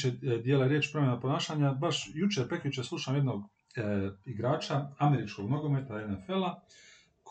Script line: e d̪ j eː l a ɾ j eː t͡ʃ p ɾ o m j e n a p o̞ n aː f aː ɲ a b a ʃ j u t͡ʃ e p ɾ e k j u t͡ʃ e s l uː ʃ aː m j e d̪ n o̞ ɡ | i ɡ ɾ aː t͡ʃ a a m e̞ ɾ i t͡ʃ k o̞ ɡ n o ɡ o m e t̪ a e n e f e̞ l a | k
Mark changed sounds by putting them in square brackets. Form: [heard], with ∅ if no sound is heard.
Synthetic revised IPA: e d̪ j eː l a ɾ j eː t͡ʃ p ɾ o m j e n a p o̞ n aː [ʃ] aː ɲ a b a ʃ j u t͡ʃ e p ɾ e k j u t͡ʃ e s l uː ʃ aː m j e d̪ n o̞ ɡ | i ɡ ɾ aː t͡ʃ a a m e̞ ɾ i t͡ʃ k o̞ ɡ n o ɡ o m e t̪ a e n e f e̞ l a | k